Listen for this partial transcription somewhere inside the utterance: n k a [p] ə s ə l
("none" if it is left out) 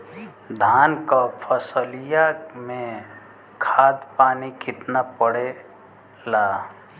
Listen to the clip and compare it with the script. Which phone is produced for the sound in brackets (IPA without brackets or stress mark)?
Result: pʰ